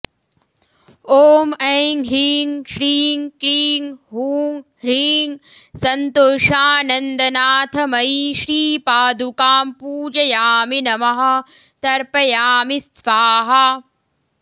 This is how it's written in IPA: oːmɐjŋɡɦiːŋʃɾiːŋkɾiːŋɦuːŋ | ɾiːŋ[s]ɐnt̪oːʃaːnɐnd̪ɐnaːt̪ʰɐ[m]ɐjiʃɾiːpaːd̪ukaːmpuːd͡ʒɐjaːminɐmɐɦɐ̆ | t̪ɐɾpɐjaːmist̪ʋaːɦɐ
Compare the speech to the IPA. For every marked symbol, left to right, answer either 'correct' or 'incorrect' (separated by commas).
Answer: correct, correct